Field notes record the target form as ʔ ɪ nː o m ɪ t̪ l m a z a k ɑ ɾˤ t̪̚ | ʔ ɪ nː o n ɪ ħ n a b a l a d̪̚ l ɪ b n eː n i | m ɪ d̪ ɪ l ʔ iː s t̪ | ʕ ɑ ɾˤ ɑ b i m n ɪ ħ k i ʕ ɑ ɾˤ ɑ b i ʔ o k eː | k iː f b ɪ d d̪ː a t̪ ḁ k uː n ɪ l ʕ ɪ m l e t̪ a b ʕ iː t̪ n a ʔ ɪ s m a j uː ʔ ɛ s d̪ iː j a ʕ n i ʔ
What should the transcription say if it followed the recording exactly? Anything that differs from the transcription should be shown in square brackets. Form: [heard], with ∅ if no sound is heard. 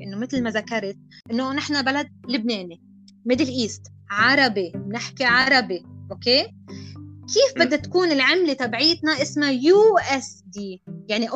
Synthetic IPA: ʔ ɪ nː o m ɪ t̪ l m a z a k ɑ ɾˤ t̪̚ | ʔ ɪ nː o n ɪ ħ n a b a l a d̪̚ l ɪ b n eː n i | m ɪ d̪ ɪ l ʔ iː s t̪ | ʕ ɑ ɾˤ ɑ b i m n ɪ ħ k i ʕ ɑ ɾˤ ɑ b i ʔ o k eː | k iː f b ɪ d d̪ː a t̪ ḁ k uː n ɪ l ʕ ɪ m l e t̪ a b ʕ iː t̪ n a ʔ ɪ s m a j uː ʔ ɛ s d̪ iː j a ʕ n i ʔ